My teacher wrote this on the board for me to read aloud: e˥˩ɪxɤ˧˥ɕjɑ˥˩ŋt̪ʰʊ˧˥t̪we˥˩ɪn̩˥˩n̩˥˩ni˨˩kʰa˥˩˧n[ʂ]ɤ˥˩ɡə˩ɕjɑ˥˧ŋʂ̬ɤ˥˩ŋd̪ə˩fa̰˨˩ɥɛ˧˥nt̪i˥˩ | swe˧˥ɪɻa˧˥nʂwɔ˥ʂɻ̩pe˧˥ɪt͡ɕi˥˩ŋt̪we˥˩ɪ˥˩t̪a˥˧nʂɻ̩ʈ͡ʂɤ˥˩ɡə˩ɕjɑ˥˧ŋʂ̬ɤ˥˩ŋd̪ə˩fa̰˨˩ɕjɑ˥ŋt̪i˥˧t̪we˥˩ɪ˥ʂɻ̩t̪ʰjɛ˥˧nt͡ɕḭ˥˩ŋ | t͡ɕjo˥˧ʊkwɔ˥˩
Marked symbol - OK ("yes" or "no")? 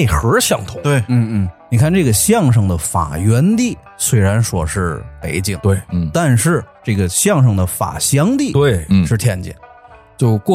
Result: no